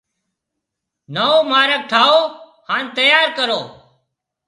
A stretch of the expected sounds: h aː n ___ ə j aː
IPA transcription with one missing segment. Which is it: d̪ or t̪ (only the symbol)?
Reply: t̪